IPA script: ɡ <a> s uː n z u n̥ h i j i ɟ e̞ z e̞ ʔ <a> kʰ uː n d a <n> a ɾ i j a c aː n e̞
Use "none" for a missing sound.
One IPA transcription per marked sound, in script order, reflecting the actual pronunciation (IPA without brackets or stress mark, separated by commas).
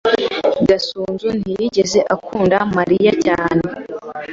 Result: a, a, m